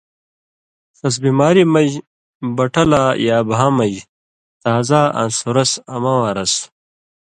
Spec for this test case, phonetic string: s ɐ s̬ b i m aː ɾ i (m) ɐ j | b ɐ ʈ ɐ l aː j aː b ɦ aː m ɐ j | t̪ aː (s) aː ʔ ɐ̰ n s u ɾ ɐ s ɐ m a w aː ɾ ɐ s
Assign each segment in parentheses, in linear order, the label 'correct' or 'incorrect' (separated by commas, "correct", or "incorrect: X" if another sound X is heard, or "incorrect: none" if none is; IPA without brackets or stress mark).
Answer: correct, incorrect: z